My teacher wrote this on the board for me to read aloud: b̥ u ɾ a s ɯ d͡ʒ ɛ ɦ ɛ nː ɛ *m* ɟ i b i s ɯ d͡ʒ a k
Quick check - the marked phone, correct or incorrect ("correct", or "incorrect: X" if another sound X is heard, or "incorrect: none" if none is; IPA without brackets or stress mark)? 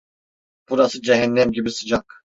correct